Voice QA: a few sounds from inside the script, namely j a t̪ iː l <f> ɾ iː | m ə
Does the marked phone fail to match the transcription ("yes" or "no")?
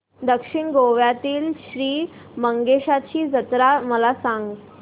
yes